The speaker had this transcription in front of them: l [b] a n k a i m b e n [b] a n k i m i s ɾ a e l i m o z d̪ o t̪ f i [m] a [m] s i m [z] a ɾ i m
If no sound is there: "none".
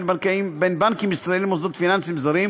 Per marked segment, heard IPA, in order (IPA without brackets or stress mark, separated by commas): b, b, n, n, z